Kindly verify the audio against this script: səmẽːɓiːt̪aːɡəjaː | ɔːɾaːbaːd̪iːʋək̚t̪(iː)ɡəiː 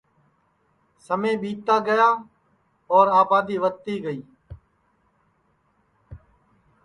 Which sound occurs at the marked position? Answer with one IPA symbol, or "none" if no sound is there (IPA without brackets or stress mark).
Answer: iː